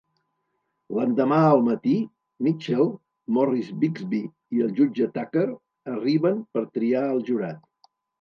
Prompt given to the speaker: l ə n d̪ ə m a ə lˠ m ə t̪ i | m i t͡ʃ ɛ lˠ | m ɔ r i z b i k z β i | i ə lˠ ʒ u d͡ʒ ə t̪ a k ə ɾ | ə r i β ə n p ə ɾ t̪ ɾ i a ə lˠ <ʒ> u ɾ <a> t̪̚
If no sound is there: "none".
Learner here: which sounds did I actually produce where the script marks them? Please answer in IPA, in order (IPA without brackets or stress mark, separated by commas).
ʒ, a